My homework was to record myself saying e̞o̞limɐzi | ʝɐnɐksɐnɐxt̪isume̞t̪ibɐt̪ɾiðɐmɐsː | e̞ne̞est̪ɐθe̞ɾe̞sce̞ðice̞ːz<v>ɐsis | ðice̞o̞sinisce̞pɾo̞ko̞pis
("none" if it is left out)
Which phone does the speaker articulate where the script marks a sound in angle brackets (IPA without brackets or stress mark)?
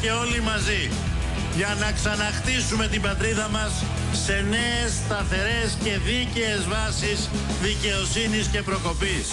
v